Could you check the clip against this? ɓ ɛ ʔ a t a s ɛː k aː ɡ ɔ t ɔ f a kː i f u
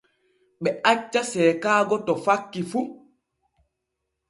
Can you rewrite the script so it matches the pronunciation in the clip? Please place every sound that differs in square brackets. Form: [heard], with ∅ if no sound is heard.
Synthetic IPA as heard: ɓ ɛ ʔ a [t͡ʃː] a s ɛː k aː ɡ ɔ t ɔ f a kː i f u